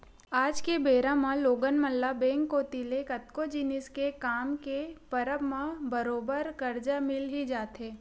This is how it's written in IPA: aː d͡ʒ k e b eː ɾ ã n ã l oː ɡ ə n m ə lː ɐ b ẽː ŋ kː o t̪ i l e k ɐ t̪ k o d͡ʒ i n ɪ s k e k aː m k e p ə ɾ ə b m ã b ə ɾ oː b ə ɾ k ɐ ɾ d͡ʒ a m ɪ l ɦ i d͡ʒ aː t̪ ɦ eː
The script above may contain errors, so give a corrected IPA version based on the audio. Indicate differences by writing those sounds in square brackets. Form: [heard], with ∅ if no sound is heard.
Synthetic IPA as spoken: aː d͡ʒ k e b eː ɾ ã [m] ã l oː ɡ ə n m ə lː [a] b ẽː ŋ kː o t̪ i l e k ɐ t̪ k o d͡ʒ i n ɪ s k e k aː m k e p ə ɾ ə b m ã b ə ɾ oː b ə ɾ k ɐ ɾ d͡ʒ a m ɪ l ɦ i d͡ʒ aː t̪ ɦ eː